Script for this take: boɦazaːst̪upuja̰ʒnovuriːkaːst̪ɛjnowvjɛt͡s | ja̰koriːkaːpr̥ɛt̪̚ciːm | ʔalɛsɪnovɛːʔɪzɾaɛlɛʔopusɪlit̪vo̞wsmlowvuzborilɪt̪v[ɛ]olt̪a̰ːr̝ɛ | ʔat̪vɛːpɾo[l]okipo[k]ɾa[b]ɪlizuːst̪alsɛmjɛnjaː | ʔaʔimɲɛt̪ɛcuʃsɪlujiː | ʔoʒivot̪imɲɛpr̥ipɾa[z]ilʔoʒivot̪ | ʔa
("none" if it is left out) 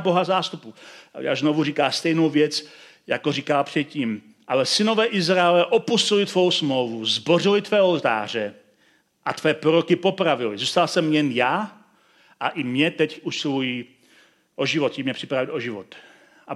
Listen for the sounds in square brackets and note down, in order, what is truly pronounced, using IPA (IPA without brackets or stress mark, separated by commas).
ɛː, ɾ, p, v, v